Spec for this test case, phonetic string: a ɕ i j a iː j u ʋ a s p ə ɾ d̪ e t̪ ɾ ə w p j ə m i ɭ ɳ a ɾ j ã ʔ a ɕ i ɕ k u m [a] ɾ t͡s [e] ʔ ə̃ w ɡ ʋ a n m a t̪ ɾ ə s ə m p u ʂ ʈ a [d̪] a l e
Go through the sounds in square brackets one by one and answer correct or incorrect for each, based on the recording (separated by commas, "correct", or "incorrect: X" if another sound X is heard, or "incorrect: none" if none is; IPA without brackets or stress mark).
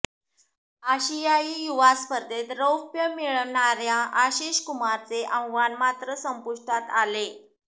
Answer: correct, correct, incorrect: t̪